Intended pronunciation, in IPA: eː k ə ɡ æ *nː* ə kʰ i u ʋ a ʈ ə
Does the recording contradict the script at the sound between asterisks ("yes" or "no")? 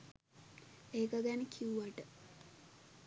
yes